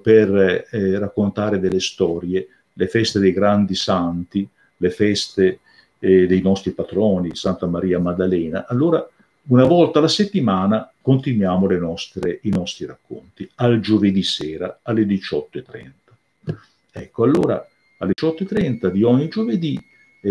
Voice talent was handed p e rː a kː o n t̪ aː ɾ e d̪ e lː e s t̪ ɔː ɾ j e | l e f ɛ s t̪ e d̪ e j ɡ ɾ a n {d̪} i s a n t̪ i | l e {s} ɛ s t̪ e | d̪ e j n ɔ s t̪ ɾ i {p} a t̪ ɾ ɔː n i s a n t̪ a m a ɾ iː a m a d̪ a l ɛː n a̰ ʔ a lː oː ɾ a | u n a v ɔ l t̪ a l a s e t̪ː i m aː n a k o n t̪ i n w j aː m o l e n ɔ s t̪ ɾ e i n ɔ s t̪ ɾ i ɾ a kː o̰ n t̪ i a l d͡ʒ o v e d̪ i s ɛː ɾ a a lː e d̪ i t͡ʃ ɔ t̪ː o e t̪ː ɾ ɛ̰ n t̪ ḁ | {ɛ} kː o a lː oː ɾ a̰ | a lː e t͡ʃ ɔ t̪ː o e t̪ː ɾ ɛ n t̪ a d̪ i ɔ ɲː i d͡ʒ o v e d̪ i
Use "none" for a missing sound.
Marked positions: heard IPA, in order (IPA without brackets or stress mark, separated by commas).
d̪, f, p, ɛ